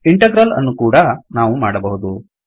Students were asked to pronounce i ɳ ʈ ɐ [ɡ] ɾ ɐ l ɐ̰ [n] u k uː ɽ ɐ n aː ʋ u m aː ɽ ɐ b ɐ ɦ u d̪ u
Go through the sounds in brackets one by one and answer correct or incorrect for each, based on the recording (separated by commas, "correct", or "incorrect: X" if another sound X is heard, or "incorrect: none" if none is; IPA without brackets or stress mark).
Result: correct, incorrect: nː